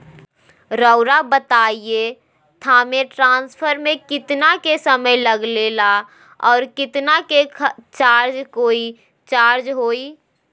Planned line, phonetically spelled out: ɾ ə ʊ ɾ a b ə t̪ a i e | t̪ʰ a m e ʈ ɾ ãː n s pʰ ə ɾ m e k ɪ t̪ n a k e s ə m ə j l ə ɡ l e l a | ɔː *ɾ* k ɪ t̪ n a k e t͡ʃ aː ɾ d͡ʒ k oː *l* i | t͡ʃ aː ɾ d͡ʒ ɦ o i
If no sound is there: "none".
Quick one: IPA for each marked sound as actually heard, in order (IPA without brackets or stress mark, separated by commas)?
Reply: ɾ, none